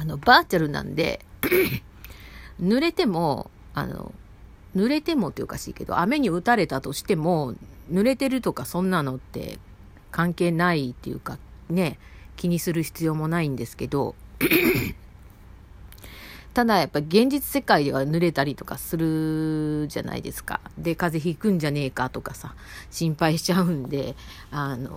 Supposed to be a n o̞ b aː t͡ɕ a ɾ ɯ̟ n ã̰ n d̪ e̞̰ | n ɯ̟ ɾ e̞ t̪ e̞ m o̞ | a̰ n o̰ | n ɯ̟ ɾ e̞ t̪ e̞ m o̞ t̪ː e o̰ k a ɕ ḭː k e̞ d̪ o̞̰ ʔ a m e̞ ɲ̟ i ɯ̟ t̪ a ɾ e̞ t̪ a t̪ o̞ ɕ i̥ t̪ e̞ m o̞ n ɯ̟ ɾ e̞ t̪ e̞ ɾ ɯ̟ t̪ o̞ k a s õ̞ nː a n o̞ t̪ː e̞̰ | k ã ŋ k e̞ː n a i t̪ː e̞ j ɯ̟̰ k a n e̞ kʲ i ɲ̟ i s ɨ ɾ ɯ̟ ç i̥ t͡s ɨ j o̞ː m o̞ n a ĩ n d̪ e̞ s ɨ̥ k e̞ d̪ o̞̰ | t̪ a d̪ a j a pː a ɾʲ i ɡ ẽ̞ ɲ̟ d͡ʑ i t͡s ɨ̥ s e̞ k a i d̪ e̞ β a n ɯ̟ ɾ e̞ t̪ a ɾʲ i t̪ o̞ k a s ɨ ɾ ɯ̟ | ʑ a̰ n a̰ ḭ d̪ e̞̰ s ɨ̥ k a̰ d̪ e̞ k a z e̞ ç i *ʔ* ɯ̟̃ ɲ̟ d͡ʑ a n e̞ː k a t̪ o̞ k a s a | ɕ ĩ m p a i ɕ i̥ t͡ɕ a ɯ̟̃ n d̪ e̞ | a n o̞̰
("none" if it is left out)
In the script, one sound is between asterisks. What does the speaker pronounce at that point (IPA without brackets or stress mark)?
k